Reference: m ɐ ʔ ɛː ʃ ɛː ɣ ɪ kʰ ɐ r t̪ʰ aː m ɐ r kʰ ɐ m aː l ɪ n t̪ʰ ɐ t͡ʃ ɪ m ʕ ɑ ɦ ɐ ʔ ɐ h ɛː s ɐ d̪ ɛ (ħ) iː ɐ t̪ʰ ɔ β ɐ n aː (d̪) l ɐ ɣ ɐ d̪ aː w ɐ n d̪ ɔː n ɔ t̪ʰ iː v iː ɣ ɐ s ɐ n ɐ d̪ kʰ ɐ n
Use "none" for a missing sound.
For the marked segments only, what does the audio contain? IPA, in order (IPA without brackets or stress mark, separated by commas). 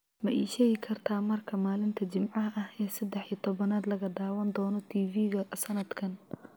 ħ, d̪